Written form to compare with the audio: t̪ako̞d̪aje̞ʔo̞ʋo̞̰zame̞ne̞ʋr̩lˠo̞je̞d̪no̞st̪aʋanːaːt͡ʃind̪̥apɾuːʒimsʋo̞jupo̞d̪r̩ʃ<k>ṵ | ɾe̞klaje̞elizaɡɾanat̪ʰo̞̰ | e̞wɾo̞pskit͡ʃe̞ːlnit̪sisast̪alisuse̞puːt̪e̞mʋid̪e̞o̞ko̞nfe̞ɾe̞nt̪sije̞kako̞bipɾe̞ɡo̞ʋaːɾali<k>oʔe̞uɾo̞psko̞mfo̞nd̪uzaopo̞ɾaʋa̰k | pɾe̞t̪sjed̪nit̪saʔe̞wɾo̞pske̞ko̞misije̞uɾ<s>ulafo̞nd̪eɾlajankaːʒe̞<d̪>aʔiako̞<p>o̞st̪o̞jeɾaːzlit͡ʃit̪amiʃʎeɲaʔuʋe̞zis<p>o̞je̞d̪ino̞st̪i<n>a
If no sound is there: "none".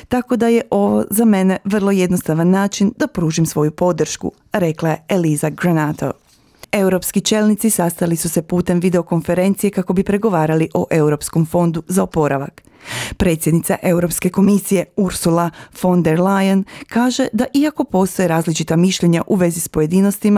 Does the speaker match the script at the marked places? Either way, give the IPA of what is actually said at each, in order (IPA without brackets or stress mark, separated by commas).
k, ʔ, s, d̪, p, p, m